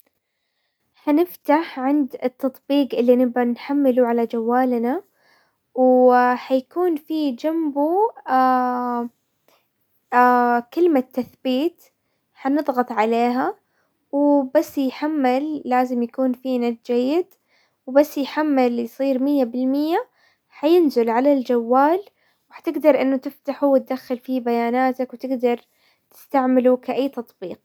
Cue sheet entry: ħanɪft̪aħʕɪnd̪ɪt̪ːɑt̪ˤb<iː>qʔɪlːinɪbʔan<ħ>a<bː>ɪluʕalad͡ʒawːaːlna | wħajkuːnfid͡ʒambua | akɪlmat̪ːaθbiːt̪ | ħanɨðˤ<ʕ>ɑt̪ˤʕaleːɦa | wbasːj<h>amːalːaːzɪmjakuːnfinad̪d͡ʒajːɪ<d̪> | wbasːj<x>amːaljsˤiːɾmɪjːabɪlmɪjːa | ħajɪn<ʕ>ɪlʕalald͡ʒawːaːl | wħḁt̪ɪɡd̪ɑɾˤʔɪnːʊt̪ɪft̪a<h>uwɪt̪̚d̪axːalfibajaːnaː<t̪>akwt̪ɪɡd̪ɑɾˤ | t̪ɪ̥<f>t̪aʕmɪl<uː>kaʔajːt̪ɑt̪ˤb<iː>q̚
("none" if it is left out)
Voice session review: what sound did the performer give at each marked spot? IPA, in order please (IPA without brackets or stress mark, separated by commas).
iː, ħ, mː, ɣ, ħ, d̪, ħ, z, ħ, t̪, s, u, iː